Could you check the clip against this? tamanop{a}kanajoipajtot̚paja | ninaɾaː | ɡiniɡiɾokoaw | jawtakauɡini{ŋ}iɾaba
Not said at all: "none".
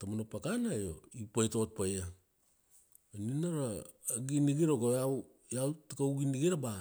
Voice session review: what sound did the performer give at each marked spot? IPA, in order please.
a, ɡ

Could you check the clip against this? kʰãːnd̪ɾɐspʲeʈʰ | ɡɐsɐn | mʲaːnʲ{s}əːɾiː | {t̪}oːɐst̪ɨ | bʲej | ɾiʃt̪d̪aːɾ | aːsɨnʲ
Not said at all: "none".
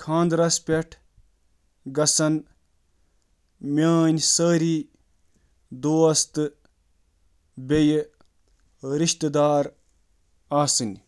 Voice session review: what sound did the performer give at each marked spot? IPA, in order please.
s, d̪

